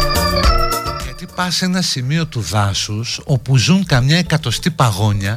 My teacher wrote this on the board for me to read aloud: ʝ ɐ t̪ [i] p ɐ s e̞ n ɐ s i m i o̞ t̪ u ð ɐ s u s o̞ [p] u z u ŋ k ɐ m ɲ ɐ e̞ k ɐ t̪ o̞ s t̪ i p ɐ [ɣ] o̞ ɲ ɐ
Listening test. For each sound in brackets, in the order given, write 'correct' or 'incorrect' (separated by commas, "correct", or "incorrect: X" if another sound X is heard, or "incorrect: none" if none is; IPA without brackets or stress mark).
correct, correct, correct